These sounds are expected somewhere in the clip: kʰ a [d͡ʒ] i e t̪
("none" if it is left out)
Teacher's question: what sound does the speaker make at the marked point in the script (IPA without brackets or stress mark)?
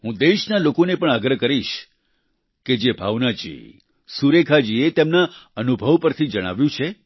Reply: d͡ʒ